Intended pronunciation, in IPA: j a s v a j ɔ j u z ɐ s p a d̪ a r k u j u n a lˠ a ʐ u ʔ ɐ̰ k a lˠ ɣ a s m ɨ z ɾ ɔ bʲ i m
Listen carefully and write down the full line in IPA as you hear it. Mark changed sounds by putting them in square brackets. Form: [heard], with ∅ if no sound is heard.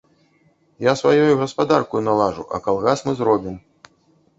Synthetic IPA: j a s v a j ɔ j u [ɣ] ɐ s p a d̪ a r k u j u n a lˠ a ʐ u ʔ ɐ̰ k a lˠ ɣ a s m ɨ z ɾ ɔ bʲ i m